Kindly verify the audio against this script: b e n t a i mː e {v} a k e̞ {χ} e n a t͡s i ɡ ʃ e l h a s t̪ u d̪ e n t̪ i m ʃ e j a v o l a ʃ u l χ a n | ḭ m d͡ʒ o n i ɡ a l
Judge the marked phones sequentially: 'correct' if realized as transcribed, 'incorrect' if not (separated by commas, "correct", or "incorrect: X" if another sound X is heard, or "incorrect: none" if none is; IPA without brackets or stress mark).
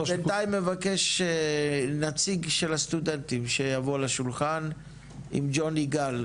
correct, incorrect: ʃ